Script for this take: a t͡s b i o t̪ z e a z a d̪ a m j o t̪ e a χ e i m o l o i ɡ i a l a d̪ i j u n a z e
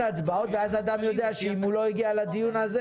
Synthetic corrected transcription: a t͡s b a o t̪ v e a z a d̪ a m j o d̪ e a ʃ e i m u l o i ɡ i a l a d̪ i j u n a z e